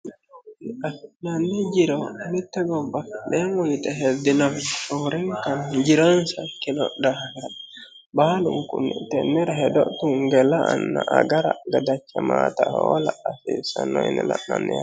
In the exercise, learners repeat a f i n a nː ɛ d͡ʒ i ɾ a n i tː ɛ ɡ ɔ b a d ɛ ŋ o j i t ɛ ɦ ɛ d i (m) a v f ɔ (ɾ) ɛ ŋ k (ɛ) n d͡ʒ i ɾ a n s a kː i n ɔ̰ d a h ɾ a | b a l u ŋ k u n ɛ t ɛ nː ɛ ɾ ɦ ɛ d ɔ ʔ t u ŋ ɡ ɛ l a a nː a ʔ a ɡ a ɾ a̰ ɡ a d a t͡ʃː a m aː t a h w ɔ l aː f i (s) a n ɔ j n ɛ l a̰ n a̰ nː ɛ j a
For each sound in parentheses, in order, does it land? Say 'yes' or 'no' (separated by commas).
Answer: no, yes, no, yes